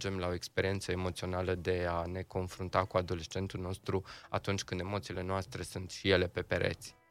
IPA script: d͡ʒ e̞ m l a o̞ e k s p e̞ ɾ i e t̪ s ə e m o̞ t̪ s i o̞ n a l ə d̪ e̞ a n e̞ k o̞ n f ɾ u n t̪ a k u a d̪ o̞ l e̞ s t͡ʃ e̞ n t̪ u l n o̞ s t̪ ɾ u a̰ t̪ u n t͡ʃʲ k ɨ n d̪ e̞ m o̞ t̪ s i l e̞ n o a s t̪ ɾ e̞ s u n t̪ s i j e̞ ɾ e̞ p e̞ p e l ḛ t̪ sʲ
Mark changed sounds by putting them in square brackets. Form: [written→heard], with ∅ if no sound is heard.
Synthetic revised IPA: d͡ʒ e̞ m l a o̞ e k s p e̞ ɾ i e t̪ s ə e m o̞ t̪ s i o̞ n a l ə d̪ e̞ a n e̞ k o̞ n f ɾ u n t̪ a k u a d̪ o̞ l e̞ s t͡ʃ e̞ n t̪ u l n o̞ s t̪ ɾ u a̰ t̪ u n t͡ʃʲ k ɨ n d̪ e̞ m o̞ t̪ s i l e̞ n o a s t̪ ɾ e̞ s u n t̪ [s→ʃ] i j e̞ [ɾ→l] e̞ p e̞ p e [l→ɾ] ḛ t̪ sʲ